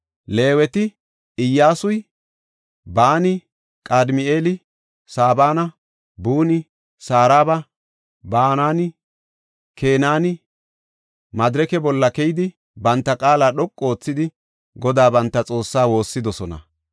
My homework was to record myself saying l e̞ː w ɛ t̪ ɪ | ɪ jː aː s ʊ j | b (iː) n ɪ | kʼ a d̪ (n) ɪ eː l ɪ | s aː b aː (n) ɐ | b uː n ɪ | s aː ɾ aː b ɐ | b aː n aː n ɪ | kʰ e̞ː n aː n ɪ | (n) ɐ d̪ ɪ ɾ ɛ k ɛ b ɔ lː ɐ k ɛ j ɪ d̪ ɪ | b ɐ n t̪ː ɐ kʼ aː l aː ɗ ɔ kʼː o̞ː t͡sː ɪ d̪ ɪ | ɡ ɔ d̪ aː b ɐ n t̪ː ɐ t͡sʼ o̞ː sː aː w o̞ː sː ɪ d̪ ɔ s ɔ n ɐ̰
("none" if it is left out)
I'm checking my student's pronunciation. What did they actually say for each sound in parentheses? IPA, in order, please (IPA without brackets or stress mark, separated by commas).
aː, m, n, m